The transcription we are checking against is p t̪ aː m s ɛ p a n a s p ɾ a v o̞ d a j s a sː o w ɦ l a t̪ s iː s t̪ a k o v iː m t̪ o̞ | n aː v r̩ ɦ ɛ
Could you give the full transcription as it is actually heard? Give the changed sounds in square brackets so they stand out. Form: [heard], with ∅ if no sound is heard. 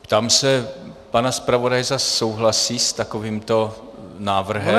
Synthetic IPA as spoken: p t̪ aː m s ɛ p a n a s p ɾ a v o̞ d a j [z] a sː o w ɦ l a [∅] s iː s t̪ a k o v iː m t̪ o̞ | n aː v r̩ ɦ ɛ